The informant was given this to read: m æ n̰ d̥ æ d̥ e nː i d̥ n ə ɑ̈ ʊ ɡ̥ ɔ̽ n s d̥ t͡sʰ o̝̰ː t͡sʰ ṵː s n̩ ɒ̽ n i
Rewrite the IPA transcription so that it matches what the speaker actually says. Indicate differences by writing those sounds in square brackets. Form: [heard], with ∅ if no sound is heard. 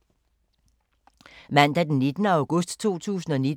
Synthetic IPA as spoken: m æ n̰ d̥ æ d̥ e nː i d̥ n ə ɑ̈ ʊ ɡ̥ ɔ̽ [∅] s d̥ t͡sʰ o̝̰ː t͡sʰ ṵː s n̩ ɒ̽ n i